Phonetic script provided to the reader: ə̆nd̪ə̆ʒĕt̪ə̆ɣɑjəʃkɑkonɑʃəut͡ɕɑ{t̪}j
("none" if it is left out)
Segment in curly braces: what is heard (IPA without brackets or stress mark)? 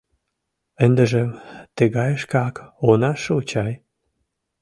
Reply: none